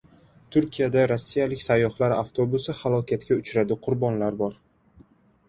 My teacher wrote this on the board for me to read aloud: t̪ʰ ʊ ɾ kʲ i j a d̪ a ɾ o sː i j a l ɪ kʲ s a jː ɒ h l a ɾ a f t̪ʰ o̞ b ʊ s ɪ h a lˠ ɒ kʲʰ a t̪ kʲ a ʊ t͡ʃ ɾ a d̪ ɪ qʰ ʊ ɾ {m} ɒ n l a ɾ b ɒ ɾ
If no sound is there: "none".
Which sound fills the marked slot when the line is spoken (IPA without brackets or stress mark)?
b